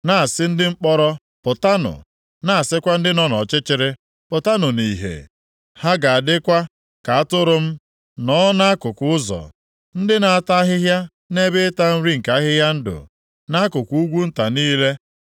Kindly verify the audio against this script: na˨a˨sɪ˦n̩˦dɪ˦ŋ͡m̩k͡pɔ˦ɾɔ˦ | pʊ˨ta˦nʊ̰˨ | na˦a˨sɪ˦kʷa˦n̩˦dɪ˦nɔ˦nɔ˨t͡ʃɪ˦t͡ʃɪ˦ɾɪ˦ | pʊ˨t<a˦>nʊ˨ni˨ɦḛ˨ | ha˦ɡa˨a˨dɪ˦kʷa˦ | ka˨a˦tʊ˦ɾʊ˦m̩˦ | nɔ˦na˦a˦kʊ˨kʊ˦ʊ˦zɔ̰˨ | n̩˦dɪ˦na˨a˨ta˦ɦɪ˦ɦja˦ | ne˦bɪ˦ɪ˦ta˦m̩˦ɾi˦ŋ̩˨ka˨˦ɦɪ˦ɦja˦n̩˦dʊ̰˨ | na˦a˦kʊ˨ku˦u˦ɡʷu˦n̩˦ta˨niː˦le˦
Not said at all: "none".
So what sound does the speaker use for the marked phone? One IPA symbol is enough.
a˦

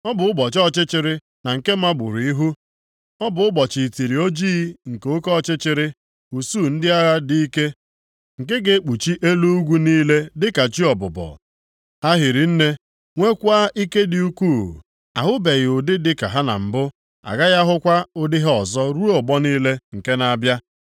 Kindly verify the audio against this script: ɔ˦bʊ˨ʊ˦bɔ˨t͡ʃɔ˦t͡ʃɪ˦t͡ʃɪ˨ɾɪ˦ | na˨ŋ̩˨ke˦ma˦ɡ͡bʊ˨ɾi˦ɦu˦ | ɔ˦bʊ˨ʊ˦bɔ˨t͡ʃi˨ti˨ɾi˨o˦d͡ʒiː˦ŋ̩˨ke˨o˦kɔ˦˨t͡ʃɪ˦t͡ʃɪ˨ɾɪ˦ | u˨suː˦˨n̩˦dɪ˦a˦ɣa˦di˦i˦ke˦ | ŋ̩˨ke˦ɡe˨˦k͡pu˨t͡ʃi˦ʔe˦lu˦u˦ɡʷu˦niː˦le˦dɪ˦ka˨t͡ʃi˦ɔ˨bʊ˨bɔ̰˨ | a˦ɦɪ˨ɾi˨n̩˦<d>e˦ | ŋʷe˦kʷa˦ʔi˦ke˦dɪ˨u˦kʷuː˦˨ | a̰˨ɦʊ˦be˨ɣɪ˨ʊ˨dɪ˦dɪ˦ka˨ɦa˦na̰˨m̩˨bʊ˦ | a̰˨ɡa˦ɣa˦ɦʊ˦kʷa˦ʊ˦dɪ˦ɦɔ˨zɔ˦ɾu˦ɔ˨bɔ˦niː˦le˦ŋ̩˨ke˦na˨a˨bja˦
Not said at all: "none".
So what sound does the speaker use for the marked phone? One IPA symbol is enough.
n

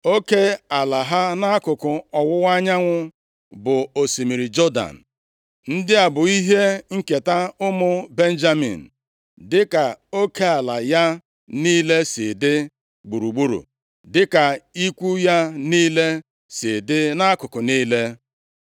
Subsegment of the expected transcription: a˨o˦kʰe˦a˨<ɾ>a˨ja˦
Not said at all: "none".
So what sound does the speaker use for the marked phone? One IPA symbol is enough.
l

